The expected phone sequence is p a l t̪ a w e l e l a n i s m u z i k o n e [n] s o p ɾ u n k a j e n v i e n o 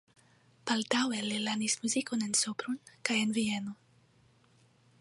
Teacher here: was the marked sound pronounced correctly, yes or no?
yes